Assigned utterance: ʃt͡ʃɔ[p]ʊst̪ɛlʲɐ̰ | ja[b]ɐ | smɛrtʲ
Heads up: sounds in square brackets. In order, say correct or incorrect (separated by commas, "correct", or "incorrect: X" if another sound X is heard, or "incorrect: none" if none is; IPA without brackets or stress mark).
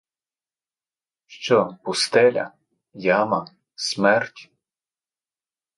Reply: correct, incorrect: m